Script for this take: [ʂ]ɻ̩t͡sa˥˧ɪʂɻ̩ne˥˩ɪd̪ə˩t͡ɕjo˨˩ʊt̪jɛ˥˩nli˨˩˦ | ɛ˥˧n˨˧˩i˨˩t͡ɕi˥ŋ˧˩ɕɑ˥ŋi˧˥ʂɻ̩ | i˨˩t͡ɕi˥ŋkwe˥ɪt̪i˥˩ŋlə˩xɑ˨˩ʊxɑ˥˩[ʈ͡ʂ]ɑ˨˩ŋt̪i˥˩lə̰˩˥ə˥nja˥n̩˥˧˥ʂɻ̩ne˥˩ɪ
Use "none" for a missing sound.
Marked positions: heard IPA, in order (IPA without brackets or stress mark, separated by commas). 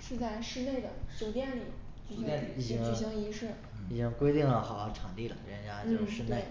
ʂ, ʈ͡ʂʰ